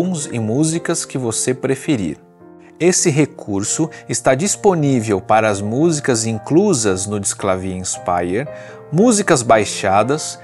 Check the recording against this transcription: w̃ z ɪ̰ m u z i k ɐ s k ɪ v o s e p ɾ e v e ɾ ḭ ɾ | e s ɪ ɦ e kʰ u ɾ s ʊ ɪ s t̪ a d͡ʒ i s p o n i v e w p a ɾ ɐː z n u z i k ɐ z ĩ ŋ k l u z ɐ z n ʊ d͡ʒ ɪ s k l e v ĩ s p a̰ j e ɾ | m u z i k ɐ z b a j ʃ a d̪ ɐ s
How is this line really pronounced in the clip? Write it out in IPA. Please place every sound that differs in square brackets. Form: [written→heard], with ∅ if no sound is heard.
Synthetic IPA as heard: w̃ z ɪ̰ m u z i k ɐ s k ɪ v o s e p ɾ e [v→f] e ɾ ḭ ɾ | e s ɪ ɦ e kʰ u ɾ s ʊ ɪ s t̪ a d͡ʒ i s p o n i v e w p a ɾ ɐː z [n→m] u z i k ɐ z ĩ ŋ k l u z ɐ z n ʊ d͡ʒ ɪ s k l [e→a] v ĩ s p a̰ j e ɾ | m u z i k ɐ z b a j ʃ a d̪ ɐ s